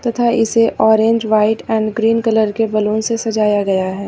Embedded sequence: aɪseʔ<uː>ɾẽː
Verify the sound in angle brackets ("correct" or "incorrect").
incorrect